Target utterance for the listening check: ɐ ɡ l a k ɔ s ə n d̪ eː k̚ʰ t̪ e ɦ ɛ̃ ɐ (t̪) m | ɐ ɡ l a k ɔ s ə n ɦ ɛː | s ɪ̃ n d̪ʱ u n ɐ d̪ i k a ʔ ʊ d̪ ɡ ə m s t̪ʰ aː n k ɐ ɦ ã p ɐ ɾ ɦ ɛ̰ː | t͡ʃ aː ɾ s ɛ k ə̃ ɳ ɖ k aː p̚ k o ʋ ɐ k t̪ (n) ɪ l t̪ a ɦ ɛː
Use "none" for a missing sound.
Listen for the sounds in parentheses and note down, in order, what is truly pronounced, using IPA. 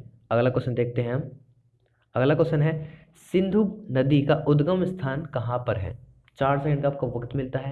none, m

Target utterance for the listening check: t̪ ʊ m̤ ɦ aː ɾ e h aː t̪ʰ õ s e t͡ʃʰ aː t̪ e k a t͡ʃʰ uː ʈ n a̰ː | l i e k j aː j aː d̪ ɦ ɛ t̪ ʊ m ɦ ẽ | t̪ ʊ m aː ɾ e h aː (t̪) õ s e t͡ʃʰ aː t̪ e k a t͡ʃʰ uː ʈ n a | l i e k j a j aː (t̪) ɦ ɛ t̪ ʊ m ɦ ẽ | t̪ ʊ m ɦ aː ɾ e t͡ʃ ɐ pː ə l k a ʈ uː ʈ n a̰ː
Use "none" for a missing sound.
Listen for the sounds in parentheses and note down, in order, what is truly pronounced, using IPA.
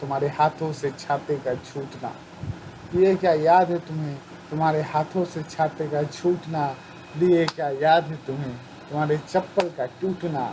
t̪ʰ, d̪

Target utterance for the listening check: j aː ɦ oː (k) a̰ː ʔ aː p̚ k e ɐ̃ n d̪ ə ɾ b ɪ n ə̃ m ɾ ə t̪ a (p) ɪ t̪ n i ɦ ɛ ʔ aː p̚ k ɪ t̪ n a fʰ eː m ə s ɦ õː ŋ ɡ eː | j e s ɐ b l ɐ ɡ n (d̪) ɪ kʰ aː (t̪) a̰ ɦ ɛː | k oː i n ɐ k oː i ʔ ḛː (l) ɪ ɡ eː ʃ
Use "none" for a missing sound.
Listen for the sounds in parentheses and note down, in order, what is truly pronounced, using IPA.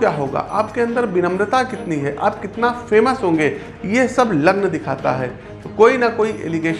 ɡ, k, d̪, t̪, l

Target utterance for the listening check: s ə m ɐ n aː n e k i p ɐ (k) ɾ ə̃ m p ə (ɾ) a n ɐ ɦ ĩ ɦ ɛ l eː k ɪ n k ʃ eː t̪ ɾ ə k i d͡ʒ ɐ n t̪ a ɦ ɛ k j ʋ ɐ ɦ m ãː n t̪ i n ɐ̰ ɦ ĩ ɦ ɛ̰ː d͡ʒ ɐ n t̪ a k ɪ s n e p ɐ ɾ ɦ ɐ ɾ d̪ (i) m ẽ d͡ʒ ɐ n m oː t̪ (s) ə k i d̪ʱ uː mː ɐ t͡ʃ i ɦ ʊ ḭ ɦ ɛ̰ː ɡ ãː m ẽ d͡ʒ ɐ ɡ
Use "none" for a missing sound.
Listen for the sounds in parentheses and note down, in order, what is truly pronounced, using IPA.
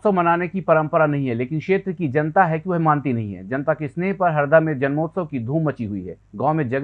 none, ɾ, a, s

